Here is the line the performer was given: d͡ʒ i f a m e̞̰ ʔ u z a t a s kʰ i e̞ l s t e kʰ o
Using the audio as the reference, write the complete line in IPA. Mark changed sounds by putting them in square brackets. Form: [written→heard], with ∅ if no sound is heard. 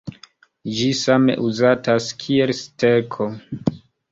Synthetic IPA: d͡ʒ i [f→s] a m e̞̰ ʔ u z a t a s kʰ i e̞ l s t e kʰ o